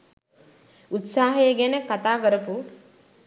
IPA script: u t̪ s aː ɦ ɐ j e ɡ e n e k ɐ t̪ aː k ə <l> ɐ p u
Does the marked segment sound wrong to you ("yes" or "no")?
yes